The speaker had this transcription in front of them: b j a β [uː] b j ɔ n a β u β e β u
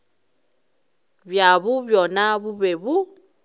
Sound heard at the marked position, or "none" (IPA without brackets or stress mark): u